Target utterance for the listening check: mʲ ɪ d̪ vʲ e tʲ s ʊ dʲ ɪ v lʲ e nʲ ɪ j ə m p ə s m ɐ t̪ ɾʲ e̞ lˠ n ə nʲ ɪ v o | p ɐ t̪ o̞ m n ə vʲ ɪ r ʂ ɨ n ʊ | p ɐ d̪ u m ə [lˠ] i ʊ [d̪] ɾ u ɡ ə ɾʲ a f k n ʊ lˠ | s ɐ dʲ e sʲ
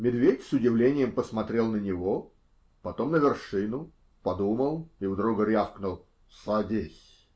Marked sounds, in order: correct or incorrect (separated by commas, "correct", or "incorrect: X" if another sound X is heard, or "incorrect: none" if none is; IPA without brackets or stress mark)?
correct, correct